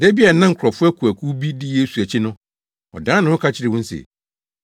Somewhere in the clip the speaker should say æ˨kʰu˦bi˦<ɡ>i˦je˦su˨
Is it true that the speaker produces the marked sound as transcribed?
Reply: no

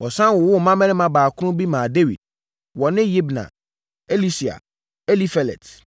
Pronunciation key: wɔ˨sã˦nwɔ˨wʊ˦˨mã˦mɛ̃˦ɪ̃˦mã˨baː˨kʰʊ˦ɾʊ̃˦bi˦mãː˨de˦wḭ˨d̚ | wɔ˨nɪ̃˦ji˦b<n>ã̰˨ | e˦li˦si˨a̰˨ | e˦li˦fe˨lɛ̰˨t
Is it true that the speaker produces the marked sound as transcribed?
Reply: yes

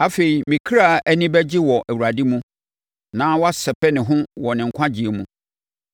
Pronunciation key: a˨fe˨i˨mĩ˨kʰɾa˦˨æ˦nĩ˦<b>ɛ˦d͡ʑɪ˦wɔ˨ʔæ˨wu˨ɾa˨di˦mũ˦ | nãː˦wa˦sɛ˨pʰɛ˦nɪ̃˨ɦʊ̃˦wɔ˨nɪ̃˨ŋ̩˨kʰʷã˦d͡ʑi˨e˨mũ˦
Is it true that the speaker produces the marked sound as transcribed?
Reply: yes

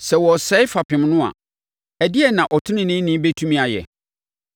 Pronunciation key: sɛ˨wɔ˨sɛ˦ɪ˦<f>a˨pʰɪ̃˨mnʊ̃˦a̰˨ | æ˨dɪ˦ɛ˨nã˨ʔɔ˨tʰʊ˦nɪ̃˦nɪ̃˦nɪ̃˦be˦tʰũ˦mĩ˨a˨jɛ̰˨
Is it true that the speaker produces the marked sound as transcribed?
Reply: yes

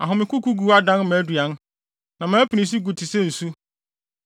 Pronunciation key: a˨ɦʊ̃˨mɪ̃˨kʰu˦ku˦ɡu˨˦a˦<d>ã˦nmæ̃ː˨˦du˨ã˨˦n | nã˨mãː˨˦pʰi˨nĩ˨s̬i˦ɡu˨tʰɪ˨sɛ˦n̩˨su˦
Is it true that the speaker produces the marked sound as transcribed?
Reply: yes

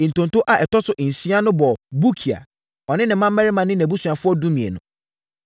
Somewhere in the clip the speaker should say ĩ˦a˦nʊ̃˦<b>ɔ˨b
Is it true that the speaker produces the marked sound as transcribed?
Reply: yes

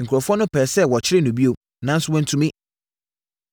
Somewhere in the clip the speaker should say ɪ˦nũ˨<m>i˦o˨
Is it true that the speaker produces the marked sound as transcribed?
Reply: no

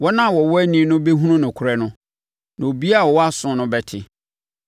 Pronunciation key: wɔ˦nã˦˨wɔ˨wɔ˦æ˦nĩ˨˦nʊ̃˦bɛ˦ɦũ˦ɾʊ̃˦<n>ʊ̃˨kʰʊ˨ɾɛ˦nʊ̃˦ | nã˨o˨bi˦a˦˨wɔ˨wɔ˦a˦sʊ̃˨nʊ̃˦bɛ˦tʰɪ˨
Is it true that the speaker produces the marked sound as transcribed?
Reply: yes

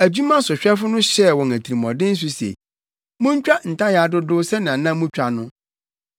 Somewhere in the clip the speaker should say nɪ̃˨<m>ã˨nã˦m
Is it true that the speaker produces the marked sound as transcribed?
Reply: no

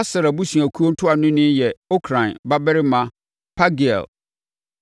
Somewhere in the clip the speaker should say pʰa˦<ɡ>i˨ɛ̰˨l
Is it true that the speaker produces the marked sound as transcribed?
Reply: yes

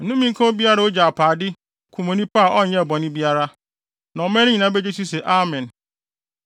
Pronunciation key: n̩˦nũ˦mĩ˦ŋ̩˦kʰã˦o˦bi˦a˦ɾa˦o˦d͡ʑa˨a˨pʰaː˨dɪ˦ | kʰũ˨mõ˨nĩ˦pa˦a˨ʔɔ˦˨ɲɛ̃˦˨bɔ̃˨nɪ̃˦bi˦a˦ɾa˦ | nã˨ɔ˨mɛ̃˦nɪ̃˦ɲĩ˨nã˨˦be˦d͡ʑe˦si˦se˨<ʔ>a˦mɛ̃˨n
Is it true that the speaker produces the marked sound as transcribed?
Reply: yes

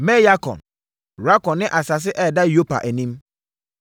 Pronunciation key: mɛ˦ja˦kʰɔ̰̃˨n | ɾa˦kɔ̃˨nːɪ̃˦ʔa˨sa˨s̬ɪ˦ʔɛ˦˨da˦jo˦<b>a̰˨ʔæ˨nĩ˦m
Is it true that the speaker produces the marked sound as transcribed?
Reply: no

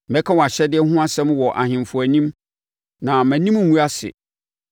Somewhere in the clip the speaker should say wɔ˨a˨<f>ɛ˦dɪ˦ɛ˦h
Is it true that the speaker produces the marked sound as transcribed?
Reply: no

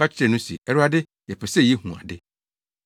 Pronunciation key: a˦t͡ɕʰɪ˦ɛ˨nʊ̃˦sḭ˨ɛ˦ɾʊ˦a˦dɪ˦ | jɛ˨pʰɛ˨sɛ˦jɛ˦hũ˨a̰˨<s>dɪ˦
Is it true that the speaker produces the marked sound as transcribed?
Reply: no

